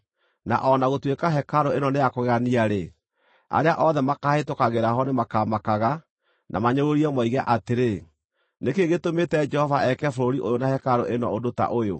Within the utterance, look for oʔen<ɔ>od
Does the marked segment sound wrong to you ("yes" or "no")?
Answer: no